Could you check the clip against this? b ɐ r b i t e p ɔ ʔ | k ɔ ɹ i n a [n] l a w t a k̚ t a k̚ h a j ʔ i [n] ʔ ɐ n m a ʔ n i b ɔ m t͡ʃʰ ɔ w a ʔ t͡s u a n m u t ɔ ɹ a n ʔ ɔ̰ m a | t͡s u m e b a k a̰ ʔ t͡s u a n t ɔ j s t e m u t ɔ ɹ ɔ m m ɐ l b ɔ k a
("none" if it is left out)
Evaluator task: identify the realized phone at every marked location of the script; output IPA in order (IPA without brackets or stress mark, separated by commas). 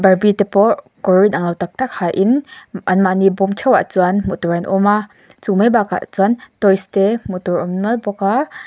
ŋ, n